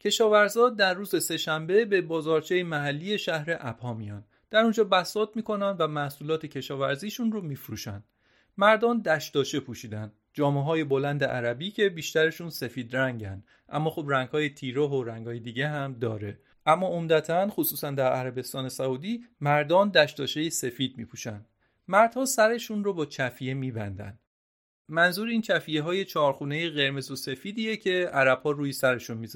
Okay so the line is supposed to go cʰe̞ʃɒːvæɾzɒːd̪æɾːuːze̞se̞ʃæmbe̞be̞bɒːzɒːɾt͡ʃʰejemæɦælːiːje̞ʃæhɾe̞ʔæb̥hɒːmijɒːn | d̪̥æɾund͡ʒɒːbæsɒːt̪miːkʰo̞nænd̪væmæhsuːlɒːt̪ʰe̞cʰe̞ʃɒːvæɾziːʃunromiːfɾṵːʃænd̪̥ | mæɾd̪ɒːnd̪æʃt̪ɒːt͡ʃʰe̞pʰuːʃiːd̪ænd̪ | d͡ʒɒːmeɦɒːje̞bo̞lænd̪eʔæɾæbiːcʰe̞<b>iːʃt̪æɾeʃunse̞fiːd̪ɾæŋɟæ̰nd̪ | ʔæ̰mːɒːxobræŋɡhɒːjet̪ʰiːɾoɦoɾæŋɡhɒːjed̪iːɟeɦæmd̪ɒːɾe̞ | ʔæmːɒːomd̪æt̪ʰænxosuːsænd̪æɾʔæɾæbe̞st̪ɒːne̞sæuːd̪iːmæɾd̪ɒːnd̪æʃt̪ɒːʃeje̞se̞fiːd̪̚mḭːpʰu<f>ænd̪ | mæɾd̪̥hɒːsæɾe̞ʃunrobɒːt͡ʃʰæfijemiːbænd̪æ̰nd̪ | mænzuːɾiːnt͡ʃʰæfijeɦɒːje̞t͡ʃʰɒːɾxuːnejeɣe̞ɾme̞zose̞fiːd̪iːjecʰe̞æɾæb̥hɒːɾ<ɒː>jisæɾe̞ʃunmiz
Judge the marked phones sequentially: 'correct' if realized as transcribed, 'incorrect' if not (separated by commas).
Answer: correct, incorrect, incorrect